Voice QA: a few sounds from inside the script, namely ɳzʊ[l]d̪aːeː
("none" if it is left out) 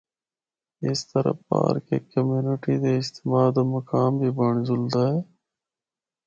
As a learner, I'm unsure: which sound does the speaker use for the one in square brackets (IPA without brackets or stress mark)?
l